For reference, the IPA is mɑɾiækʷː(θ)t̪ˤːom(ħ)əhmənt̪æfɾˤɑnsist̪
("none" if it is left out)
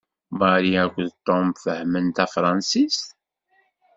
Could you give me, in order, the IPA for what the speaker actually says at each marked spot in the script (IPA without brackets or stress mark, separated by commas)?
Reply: ð, f